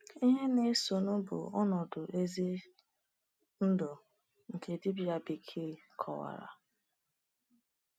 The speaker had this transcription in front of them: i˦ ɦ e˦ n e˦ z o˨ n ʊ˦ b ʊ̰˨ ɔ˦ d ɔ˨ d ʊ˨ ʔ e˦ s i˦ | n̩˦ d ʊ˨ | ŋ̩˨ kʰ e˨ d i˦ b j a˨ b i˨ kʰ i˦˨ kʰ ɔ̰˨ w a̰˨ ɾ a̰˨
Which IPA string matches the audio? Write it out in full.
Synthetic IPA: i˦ ɦ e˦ n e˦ s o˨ n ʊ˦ b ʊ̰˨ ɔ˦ n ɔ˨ d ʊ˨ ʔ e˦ z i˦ | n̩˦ d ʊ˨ | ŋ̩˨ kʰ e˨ d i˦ b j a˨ b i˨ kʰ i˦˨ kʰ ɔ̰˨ w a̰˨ ɾ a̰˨